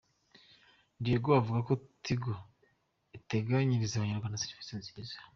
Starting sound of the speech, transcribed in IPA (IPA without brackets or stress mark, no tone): n